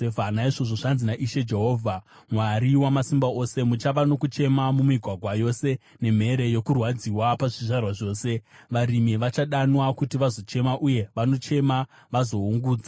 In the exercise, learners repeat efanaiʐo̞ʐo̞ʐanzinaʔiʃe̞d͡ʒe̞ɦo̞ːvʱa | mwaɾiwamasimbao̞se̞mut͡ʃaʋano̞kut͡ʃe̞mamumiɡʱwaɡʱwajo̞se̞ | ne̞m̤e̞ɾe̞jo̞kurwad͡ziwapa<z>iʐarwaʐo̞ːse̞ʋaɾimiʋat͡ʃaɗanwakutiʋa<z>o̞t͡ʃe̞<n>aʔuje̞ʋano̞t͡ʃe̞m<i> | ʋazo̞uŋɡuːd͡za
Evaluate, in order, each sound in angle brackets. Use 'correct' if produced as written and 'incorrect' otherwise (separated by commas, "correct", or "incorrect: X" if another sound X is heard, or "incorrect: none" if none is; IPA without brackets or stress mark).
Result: incorrect: ʐ, correct, incorrect: m, incorrect: a